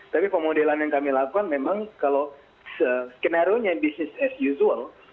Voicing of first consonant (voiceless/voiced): voiceless